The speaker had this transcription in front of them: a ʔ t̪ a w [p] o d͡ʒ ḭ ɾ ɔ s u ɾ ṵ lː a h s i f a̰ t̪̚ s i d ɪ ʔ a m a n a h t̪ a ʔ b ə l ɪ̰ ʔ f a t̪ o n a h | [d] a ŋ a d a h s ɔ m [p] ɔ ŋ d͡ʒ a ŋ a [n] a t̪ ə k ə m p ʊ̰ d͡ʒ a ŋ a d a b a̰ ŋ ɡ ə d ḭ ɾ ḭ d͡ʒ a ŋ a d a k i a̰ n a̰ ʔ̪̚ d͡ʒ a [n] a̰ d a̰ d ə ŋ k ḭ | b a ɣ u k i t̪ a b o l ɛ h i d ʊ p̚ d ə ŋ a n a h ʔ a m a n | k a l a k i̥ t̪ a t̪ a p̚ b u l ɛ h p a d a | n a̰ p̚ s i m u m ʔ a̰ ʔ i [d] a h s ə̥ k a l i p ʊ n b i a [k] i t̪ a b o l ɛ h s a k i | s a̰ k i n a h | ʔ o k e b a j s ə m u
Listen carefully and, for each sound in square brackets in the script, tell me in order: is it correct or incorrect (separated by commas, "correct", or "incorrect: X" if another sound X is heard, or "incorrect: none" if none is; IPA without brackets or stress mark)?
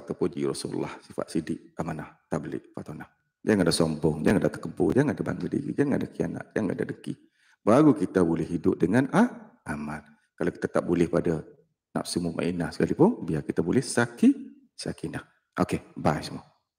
correct, incorrect: d͡ʒ, incorrect: b, incorrect: d, incorrect: ŋ, incorrect: n, correct